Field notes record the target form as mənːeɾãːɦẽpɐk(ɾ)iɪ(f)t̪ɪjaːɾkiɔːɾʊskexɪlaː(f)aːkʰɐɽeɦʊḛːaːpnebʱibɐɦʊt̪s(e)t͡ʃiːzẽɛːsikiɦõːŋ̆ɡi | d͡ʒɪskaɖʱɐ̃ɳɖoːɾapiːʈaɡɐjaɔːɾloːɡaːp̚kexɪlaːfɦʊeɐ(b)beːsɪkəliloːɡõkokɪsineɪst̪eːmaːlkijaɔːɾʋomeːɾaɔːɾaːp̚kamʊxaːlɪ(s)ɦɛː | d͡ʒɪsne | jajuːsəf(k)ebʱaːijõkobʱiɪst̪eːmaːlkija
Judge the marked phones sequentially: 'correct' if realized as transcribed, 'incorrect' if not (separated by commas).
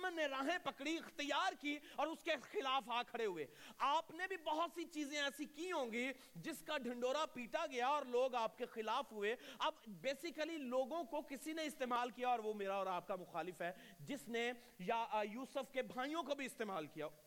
incorrect, incorrect, correct, incorrect, correct, incorrect, correct